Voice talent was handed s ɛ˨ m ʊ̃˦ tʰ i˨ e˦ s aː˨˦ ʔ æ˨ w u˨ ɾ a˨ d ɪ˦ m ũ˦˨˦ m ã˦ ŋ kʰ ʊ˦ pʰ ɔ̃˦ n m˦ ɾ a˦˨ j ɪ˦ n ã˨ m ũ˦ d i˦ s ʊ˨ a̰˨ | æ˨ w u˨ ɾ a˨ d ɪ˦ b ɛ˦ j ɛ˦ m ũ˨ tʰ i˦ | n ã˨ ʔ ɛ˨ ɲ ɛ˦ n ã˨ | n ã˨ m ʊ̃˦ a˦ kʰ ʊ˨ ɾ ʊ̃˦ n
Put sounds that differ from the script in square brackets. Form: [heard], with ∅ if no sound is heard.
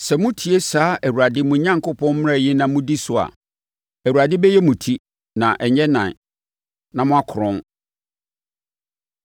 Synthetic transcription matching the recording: s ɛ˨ m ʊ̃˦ tʰ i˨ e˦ s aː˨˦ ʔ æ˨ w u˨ ɾ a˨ d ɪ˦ m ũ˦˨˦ [ɲ] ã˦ ŋ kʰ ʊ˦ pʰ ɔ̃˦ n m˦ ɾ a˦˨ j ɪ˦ n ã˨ m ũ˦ d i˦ s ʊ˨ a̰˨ | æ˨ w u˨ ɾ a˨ d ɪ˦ b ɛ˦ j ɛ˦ m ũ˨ tʰ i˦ | n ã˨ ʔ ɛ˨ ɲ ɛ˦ n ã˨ | n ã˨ m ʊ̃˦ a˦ kʰ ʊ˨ ɾ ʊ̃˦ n